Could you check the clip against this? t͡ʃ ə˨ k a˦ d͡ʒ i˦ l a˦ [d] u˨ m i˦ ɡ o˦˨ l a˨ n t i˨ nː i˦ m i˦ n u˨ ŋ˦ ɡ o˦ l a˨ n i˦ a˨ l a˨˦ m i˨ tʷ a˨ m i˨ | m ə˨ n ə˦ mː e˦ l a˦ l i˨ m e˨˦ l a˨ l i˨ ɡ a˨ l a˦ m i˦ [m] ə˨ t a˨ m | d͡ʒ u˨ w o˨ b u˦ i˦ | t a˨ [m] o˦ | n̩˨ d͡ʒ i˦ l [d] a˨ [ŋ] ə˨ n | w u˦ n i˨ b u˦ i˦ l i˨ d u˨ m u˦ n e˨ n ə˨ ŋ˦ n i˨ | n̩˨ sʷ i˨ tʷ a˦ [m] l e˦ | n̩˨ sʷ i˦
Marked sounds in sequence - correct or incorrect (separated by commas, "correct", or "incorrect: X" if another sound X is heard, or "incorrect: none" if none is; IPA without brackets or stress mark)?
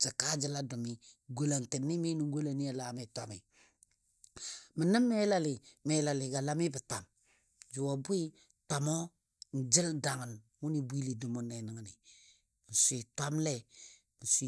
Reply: correct, incorrect: b, correct, correct, correct, correct